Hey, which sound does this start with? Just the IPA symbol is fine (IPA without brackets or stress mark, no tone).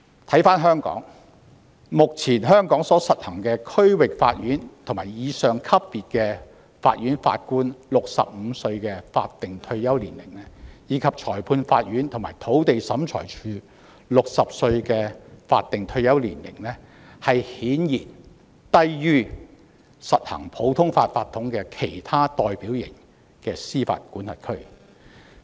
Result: t̪ʰ